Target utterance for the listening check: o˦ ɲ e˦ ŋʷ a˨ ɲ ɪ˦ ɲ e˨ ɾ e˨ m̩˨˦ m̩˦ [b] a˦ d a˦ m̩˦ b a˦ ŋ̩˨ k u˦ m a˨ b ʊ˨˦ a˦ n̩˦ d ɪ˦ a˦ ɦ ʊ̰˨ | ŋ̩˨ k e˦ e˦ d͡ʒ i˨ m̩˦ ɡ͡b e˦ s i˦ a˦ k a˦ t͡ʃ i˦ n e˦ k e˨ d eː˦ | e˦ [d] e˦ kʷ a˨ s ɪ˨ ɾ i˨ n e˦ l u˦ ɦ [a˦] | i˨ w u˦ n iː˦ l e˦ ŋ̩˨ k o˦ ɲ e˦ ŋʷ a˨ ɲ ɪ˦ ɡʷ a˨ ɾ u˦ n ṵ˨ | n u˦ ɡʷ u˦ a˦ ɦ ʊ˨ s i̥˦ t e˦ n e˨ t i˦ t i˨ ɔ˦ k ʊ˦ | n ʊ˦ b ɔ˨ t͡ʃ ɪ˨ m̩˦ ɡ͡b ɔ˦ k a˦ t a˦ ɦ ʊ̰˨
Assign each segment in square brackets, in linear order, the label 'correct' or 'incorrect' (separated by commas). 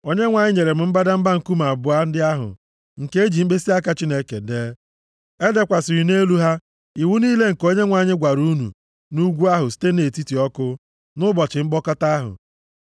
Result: correct, correct, correct